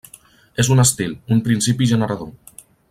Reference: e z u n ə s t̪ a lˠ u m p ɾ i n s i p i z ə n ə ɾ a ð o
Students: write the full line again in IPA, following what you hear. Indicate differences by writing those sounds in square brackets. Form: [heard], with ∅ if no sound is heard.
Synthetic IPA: e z u n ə s t̪ [i] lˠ u m p ɾ i n s i p i [ʒ] ə n ə ɾ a ð o